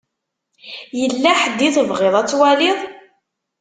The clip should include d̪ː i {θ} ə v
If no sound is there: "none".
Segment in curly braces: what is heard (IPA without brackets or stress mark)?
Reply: θ